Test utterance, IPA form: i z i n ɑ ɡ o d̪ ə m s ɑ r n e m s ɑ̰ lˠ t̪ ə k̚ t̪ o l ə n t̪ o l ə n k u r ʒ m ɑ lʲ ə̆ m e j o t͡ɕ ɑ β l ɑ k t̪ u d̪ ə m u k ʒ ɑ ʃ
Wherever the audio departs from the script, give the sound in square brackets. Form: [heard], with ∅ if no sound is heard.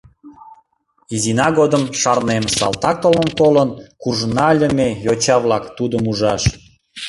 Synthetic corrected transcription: i z i n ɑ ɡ o d̪ ə m [ʃ] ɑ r n e m s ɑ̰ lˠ t̪ [ɑ] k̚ t̪ o l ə n t̪ o l ə n k u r ʒ [n] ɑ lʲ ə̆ m e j o t͡ɕ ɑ β l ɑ k t̪ u d̪ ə m u [∅] ʒ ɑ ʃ